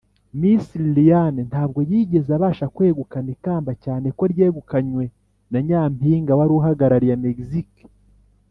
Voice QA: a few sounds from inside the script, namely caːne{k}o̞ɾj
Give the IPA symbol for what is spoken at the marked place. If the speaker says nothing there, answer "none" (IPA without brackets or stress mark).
k